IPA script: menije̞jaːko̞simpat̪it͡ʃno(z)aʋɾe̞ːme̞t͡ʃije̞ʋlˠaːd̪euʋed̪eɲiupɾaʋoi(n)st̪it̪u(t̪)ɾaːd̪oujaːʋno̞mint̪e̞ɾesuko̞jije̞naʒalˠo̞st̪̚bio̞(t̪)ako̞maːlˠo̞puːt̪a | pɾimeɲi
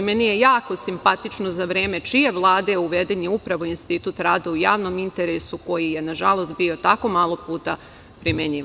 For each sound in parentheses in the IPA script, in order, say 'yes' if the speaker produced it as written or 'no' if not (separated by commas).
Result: yes, yes, yes, yes